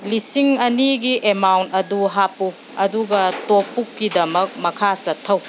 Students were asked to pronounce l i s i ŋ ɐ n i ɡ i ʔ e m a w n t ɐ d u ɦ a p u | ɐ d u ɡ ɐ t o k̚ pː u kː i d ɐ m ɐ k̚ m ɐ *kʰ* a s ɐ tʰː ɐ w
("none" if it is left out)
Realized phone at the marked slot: kʰ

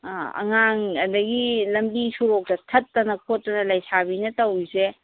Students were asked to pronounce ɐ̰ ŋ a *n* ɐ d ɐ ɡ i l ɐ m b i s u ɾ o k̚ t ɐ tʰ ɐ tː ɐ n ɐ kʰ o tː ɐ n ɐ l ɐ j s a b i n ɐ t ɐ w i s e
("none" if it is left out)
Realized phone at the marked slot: ŋ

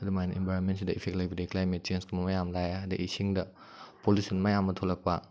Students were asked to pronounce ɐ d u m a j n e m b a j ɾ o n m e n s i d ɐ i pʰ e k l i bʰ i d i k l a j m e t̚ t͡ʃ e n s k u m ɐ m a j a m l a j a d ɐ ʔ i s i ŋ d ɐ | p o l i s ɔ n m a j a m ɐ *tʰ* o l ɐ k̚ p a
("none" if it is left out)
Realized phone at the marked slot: tʰ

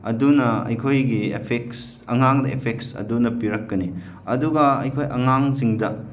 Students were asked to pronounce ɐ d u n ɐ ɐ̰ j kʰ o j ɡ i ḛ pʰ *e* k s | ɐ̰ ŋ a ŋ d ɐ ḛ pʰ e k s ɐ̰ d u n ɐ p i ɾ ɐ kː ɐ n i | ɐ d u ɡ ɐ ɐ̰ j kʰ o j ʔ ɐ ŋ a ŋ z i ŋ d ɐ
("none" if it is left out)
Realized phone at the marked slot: e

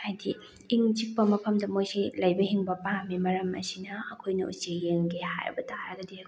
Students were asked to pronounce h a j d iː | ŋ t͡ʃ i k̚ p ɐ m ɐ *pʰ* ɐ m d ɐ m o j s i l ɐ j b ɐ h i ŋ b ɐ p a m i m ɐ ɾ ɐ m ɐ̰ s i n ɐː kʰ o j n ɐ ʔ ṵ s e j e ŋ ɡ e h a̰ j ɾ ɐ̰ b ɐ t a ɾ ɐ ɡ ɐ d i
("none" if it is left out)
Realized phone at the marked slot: pʰ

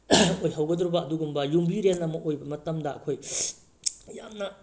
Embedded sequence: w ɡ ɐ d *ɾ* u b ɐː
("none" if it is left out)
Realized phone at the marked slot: ɾ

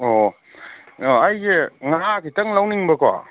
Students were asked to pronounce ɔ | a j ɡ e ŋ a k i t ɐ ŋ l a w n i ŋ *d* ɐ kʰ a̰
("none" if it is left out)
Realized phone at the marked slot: b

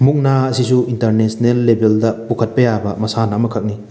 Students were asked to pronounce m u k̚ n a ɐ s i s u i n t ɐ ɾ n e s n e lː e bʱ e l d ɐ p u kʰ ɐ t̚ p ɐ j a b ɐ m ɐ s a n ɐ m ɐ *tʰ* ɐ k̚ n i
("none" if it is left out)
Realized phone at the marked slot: kʰ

